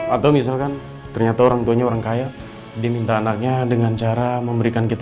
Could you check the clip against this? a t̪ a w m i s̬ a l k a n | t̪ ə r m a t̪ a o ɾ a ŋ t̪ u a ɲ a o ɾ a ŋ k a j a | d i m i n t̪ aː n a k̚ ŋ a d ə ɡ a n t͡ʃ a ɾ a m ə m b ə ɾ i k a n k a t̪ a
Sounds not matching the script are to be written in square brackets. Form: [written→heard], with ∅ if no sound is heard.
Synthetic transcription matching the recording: a t̪ a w m i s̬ a l k a n | t̪ ə r [m→ɲ] a t̪ a o ɾ a ŋ t̪ u a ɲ a o ɾ a ŋ k a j a | d i m i n t̪ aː n a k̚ [ŋ→ɲ] a d ə [ɡ→ŋ] a n t͡ʃ a ɾ a m ə m b ə ɾ i k a n k [a→i] t̪ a